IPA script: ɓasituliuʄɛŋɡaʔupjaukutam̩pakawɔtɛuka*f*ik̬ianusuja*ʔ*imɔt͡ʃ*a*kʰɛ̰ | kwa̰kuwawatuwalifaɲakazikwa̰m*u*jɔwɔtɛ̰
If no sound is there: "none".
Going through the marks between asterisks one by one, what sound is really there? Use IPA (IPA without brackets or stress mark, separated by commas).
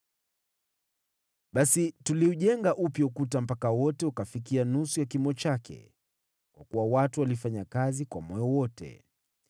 f, k, a, ɔ